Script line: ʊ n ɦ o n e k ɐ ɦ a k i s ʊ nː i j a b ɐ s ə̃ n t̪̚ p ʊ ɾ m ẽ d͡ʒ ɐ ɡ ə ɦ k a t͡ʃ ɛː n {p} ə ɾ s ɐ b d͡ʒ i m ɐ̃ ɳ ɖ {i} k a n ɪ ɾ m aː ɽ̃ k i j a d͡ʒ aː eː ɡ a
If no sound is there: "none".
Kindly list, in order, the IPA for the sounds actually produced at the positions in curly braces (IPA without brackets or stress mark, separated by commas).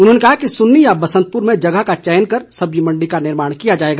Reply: k, i